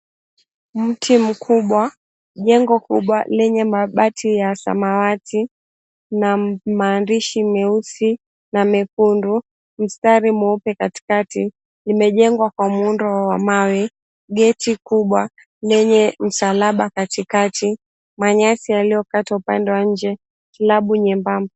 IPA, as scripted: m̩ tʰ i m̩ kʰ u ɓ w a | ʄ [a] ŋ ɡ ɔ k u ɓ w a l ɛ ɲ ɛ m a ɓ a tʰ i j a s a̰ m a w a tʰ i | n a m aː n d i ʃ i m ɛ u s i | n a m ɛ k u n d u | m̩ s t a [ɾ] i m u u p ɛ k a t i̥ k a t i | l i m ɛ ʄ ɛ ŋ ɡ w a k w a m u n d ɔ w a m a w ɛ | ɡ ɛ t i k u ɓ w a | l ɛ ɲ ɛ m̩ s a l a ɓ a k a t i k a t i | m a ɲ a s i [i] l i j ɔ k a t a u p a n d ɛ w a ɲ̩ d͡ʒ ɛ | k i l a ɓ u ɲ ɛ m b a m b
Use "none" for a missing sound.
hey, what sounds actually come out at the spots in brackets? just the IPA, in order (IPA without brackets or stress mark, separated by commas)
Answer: ɛ, ɾ, a